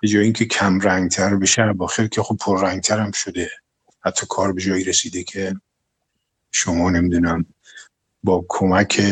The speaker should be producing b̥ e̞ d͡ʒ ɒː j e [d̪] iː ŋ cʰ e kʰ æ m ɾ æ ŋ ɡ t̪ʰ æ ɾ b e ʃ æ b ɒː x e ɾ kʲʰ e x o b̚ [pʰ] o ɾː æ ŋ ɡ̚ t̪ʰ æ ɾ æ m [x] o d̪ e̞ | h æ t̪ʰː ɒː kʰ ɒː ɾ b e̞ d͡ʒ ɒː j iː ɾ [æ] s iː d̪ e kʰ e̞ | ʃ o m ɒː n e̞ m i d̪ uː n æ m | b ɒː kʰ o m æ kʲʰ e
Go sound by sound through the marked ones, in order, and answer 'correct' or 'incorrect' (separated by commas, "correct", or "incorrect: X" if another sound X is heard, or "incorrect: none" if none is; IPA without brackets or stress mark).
incorrect: none, correct, incorrect: ʃ, incorrect: e